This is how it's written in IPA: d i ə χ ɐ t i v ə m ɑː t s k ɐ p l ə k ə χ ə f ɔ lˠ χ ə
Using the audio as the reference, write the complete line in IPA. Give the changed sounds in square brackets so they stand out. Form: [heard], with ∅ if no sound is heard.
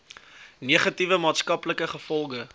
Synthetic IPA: [n] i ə χ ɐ t i v ə m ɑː t s k ɐ p l ə k ə χ ə f ɔ lˠ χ ə